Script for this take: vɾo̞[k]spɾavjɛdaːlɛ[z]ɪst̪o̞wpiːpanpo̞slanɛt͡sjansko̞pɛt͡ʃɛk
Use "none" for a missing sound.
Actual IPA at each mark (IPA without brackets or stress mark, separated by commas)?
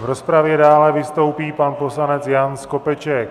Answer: none, v